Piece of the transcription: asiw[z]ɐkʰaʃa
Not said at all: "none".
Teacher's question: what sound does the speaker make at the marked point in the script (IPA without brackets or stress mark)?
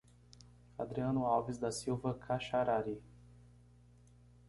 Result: v